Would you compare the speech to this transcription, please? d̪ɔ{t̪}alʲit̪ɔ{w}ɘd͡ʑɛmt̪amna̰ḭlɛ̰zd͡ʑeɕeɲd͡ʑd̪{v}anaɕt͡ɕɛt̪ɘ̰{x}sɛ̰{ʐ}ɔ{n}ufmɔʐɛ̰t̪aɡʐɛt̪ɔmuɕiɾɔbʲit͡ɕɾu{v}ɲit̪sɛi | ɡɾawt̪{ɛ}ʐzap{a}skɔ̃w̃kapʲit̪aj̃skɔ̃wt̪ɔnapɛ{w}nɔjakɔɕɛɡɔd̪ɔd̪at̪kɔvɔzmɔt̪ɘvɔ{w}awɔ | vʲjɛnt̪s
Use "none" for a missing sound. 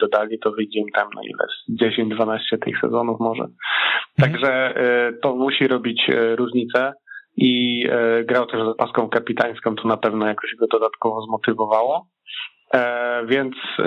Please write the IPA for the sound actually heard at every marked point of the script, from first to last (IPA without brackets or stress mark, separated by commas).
d̪, v, v, x, z, n, ʐ, ɛ, a, v, v